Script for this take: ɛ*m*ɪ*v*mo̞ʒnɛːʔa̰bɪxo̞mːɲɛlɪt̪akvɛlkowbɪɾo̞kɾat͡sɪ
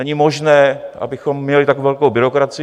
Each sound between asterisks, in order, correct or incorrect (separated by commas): incorrect, incorrect